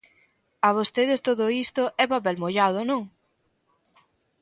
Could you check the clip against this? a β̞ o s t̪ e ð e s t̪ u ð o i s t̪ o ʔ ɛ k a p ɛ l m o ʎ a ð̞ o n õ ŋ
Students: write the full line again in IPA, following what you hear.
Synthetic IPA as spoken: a β̞ o s t̪ e ð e s t̪ o ð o i s t̪ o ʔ ɛ p a p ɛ l m o ʎ a ð̞ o n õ ŋ